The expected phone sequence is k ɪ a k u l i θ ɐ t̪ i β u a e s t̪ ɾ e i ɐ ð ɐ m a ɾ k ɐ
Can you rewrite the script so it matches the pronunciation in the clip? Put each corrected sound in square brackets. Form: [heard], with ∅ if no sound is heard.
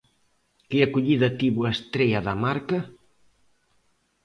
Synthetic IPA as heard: k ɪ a k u [ʎ] i [ð] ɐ t̪ i β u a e s t̪ ɾ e [j] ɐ ð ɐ m a ɾ k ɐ